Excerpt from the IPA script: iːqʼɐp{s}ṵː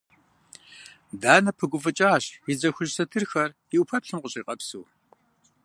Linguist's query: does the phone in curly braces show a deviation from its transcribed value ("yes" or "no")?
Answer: no